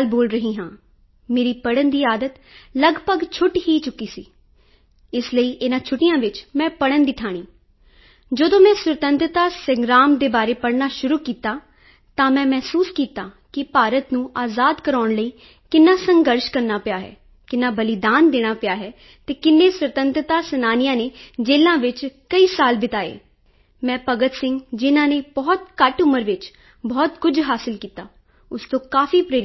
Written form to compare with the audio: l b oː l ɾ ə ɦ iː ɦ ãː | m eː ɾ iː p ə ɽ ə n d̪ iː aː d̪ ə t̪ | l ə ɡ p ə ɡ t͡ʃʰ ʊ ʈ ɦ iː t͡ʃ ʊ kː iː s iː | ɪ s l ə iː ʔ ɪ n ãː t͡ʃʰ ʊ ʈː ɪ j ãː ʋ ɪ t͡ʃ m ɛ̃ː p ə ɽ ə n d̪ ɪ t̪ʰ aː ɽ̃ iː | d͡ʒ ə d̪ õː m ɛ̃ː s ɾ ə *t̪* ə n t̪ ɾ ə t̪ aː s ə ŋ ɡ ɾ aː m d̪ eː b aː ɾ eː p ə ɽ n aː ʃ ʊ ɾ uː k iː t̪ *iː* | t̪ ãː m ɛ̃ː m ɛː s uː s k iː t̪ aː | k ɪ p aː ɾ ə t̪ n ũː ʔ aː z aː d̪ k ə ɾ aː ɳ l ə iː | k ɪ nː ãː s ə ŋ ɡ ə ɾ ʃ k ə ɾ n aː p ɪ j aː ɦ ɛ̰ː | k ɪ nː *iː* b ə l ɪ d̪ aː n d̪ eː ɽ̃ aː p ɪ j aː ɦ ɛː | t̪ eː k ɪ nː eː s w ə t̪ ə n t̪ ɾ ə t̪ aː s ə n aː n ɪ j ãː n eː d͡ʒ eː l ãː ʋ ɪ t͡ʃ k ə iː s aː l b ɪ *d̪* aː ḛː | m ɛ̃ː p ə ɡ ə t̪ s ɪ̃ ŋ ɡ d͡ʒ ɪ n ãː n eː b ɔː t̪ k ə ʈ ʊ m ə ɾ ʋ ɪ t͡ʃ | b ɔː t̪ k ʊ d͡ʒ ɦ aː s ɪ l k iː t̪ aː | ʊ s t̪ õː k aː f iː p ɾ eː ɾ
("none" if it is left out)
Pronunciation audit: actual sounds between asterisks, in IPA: t̪, aː, aː, t̪

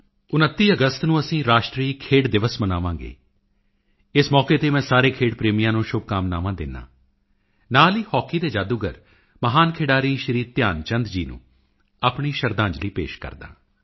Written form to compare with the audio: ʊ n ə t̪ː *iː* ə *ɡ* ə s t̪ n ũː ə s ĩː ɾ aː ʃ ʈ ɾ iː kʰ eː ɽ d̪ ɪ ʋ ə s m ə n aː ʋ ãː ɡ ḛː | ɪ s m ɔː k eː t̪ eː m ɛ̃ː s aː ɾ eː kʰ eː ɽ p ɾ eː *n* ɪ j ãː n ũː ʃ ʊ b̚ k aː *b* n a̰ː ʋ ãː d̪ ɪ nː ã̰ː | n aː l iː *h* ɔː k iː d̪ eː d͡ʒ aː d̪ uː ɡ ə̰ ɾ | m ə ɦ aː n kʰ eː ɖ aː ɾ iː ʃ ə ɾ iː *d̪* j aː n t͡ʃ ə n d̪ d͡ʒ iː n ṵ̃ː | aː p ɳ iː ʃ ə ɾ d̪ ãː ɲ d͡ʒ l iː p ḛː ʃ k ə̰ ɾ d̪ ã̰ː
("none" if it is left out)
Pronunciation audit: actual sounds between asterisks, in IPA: iː, ɡ, m, m, h, t̪

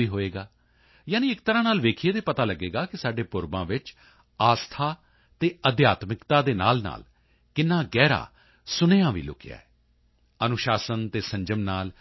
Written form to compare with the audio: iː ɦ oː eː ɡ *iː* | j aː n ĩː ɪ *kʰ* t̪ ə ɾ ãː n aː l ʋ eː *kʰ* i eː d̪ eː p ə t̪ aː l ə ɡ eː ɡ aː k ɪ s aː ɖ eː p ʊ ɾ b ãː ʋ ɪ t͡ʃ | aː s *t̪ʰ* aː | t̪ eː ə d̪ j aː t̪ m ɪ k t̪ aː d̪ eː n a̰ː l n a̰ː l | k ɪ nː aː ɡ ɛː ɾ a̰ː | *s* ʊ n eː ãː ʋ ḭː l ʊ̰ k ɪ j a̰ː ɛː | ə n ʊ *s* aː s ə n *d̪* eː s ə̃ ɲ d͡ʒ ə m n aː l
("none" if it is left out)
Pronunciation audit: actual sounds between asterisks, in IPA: aː, k, kʰ, t̪ʰ, s, ʃ, t̪

